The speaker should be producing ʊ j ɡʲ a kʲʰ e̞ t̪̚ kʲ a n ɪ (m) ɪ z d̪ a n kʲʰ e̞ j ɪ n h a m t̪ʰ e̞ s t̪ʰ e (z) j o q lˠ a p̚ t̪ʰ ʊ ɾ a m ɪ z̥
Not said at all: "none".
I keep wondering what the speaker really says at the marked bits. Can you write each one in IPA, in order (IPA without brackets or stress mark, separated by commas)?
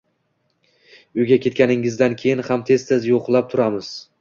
ŋ, z